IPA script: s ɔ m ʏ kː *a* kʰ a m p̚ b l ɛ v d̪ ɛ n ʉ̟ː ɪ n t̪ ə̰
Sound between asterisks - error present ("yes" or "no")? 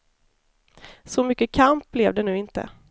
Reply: yes